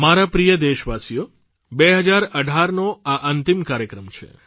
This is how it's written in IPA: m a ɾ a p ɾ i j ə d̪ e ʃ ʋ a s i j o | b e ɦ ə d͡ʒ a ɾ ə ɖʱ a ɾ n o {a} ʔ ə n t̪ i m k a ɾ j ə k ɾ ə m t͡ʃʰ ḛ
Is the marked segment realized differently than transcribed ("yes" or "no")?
no